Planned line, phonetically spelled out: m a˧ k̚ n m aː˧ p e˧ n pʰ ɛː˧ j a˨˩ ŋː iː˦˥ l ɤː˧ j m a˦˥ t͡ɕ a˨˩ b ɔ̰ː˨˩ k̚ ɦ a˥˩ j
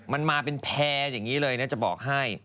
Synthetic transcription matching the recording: m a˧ n m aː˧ p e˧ n pʰ ɛː˧ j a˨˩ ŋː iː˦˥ l ɤː˧ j n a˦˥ t͡ɕ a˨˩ b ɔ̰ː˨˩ k̚ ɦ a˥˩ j